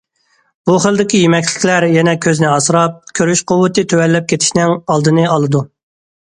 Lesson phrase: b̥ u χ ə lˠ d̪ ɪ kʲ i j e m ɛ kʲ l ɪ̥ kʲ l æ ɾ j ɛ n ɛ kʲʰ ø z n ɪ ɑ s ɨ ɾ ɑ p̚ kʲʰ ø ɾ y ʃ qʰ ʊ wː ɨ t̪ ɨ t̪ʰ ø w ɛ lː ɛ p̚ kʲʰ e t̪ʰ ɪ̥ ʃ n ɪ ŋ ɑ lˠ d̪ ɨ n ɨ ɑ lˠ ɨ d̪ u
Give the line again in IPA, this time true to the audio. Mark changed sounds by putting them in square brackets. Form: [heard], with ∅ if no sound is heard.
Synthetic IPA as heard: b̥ u χ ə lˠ d̪ ɪ kʲ i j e m ɛ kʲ l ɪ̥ kʲ l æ ɾ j ɛ n ɛ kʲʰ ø z n ɪ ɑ s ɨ ɾ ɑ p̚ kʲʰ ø ɾ y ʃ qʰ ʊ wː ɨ t̪ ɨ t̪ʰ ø w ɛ lː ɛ p̚ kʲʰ e t̪ʰ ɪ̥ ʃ n ɪ ŋ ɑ lˠ d̪ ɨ n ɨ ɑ lˠ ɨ d̪ u